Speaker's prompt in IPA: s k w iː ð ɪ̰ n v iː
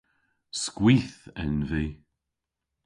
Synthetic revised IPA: s k w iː θ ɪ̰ n v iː

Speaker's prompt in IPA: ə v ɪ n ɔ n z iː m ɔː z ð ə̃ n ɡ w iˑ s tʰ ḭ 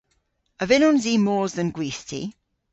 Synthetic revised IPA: ə v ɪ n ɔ n z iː m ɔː z ð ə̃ n ɡ w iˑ s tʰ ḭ

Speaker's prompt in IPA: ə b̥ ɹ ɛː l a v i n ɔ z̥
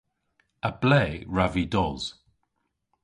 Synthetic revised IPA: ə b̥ l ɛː ɹ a v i d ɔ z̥

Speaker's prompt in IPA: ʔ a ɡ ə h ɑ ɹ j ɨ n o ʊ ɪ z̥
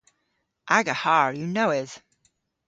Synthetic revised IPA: ʔ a ɡ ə h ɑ ɹ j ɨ n o ʊ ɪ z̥

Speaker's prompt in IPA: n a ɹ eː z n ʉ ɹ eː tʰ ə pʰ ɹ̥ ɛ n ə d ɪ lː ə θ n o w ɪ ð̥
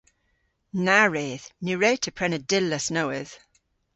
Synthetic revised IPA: n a ɹ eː ð n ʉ ɹ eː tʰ ə pʰ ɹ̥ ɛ n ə d ɪ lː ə s n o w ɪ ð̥

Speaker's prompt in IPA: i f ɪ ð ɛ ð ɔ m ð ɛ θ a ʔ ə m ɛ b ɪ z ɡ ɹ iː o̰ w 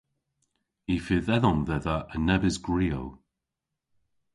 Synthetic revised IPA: i f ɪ ð ɛ ð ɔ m ð ɛ ð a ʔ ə n ɛ b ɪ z ɡ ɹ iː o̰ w

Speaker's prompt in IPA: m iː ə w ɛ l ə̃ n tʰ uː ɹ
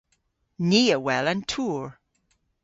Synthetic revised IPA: n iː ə w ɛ l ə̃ n tʰ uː ɹ

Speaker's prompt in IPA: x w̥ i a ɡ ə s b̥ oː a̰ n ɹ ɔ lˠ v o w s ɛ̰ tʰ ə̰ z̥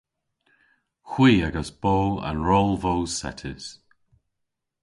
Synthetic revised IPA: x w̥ iː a ɡ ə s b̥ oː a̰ n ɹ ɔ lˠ v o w s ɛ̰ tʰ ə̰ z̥

